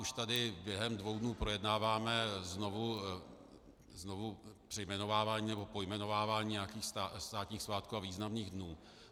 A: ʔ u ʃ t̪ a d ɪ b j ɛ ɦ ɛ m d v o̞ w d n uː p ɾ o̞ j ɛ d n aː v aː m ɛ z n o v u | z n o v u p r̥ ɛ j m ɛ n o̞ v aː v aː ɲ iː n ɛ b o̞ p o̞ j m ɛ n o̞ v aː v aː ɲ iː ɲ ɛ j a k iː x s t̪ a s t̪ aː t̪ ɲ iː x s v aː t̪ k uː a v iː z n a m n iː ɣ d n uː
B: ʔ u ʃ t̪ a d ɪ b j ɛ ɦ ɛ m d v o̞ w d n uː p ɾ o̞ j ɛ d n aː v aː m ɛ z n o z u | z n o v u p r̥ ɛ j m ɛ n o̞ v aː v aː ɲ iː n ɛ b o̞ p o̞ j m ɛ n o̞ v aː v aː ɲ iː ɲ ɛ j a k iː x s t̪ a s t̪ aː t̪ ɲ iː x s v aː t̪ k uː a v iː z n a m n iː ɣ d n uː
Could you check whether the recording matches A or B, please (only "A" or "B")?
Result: A